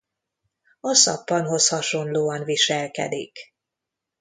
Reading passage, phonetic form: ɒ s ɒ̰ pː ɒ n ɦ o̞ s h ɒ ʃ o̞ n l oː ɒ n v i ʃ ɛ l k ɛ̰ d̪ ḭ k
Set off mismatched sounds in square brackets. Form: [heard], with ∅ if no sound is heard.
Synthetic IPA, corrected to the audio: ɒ s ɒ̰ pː ɒ n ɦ o̞ s h ɒ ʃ o̞ n l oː ɒ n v i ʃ ɛ l k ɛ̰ d̪ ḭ k